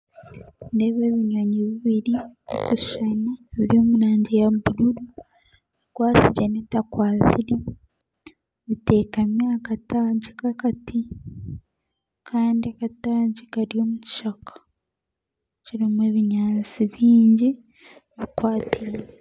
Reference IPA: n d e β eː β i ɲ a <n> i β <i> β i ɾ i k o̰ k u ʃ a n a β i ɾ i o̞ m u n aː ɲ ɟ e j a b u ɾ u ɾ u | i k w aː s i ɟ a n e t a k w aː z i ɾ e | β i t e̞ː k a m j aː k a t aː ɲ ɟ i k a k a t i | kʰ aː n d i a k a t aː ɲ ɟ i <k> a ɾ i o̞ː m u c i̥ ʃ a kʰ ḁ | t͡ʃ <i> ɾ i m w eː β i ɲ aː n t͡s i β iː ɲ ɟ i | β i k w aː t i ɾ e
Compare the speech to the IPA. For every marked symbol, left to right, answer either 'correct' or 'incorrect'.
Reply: incorrect, correct, correct, correct

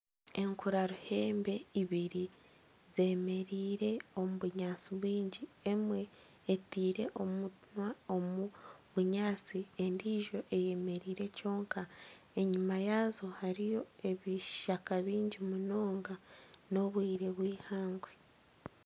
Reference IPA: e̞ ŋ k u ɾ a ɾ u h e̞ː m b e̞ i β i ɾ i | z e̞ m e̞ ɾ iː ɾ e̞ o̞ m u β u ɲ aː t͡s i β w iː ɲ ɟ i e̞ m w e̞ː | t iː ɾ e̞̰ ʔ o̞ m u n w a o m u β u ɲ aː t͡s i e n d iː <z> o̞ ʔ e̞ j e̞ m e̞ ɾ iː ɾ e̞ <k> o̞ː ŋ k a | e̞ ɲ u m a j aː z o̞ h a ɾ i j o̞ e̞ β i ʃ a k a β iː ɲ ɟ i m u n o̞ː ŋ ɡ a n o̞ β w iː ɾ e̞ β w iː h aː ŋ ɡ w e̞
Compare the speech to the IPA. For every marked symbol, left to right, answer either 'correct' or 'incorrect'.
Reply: incorrect, incorrect

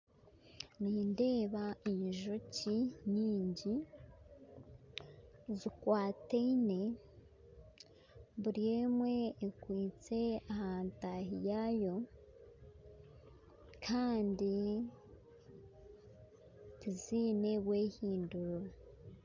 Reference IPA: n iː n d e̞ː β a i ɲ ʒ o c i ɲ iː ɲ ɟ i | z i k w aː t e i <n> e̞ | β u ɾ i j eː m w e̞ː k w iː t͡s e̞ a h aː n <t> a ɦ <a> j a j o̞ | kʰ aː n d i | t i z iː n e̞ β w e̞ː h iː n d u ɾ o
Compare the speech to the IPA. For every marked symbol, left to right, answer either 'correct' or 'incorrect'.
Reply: correct, correct, incorrect

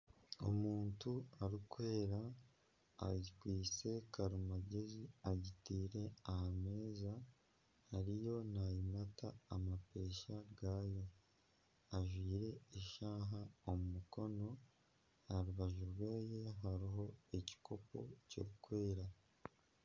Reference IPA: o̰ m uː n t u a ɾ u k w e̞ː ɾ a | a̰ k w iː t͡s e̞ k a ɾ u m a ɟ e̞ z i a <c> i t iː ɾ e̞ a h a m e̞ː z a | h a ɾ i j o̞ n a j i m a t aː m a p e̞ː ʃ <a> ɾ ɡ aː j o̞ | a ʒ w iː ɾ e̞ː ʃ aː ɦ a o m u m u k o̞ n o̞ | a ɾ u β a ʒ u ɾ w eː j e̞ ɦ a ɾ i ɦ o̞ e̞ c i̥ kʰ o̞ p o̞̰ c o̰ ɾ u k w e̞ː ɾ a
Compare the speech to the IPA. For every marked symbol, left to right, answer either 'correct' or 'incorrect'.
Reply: incorrect, correct

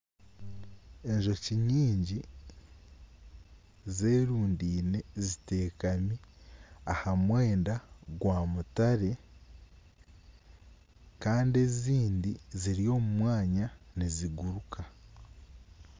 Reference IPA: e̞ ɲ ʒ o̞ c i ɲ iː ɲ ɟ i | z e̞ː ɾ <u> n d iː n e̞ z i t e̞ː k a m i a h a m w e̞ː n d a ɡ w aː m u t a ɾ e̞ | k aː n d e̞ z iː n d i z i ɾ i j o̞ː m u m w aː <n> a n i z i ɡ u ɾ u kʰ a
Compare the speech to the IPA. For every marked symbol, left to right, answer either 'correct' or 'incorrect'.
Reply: incorrect, incorrect

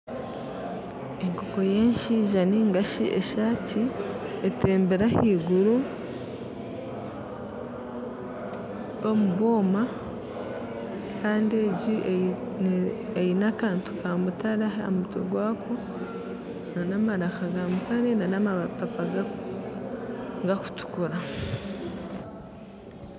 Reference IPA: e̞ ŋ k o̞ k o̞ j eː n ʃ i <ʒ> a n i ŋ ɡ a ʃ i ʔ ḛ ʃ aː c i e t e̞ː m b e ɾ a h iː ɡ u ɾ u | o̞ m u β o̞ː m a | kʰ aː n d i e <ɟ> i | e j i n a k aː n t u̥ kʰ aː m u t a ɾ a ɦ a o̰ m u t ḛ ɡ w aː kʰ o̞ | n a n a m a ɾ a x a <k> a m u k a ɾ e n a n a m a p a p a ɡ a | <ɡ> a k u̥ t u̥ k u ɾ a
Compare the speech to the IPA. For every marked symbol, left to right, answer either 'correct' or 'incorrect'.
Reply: correct, correct, incorrect, correct

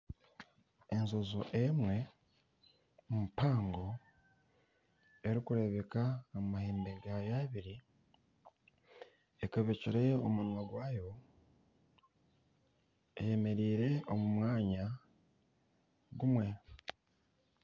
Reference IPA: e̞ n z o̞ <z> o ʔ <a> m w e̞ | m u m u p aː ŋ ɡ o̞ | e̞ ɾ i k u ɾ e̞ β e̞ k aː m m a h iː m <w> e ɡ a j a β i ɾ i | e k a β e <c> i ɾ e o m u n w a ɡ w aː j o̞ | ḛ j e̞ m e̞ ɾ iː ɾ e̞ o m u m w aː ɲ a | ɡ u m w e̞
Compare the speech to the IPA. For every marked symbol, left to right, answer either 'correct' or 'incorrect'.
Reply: correct, incorrect, incorrect, correct

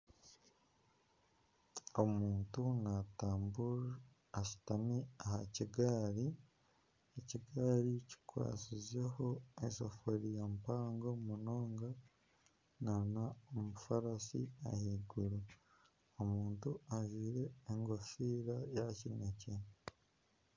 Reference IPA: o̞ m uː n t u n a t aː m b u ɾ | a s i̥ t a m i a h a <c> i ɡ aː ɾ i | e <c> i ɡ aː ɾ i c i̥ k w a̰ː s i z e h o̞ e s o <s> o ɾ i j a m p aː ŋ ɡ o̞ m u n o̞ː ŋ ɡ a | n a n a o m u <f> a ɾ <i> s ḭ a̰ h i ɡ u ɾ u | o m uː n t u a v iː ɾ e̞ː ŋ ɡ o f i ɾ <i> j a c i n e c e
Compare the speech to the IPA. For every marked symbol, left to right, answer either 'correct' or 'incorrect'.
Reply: correct, correct, incorrect, correct, incorrect, incorrect

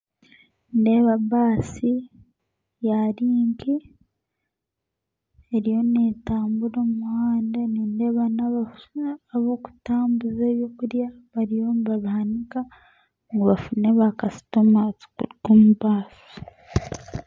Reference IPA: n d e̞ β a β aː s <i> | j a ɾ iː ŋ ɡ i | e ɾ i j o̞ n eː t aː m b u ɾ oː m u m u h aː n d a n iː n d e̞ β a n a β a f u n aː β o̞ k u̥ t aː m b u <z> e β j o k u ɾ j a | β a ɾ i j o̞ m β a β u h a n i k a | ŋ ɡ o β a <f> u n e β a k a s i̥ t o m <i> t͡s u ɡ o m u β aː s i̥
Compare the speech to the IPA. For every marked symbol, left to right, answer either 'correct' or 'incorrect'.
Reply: correct, correct, correct, incorrect

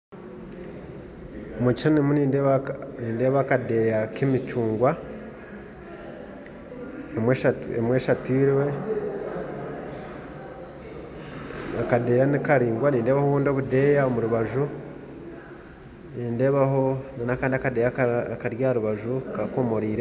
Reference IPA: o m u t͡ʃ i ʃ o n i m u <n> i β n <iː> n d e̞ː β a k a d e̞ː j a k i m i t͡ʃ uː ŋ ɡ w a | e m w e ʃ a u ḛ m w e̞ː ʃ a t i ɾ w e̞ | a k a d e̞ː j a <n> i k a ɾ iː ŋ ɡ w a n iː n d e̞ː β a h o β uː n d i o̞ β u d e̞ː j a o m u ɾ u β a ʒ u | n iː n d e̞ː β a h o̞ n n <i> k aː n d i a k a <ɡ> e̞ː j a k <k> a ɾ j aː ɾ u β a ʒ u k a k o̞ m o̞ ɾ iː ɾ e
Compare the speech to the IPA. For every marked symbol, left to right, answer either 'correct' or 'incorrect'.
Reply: correct, correct, correct, incorrect, incorrect, correct

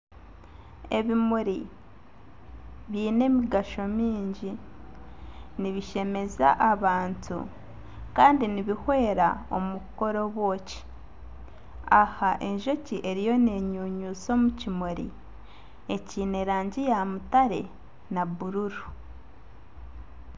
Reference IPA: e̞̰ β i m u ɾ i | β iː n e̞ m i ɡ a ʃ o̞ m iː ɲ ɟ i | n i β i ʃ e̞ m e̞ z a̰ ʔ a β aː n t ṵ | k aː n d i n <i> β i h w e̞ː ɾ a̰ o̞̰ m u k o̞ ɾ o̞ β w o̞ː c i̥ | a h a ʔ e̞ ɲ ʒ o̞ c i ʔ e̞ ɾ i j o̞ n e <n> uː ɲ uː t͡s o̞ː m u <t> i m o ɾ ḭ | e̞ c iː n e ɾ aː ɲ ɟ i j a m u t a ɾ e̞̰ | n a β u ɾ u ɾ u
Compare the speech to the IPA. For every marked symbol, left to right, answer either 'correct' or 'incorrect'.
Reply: correct, incorrect, incorrect

